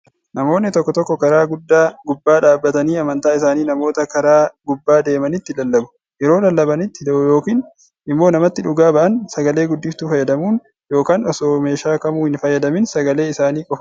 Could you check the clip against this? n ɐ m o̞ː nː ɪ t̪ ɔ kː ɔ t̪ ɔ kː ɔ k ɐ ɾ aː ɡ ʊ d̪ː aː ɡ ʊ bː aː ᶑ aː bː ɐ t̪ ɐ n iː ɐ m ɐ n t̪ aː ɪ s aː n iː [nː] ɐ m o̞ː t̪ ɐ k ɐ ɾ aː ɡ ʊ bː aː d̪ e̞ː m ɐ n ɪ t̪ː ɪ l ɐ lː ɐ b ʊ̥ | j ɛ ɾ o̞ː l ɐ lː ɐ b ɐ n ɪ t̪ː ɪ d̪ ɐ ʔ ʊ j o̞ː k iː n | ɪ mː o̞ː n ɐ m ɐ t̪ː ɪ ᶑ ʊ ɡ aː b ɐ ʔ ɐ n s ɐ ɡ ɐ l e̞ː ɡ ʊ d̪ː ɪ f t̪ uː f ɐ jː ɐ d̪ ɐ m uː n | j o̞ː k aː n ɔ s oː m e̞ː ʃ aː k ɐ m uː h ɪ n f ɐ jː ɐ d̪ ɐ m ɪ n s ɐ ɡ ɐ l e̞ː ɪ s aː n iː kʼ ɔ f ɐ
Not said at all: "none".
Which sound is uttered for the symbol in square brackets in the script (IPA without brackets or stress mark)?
n